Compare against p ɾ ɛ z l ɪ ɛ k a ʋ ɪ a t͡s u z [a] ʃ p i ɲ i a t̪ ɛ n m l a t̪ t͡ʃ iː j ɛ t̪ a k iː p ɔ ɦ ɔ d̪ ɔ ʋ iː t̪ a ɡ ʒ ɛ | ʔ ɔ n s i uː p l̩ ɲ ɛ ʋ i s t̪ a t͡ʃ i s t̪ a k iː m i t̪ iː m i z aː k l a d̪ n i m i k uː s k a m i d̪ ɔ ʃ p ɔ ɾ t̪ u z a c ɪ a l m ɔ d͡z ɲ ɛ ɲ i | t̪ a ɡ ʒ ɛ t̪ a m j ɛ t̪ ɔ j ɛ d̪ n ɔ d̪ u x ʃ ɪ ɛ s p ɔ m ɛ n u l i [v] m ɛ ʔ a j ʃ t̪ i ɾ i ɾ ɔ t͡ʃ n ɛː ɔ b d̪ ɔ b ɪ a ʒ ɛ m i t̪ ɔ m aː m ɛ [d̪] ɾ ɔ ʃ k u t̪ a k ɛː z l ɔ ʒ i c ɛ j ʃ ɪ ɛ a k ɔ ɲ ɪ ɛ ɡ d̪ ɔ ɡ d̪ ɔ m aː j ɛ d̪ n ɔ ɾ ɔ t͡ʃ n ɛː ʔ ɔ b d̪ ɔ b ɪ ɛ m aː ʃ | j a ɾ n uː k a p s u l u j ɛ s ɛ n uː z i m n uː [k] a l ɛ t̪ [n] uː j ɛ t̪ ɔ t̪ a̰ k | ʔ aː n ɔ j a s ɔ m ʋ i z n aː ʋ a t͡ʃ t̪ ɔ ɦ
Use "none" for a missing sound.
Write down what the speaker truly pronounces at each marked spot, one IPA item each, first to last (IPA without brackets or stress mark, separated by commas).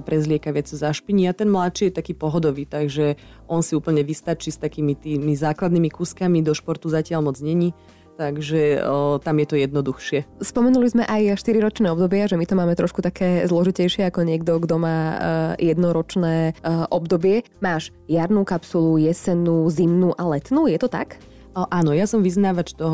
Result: a, z, t̪, ʔ, n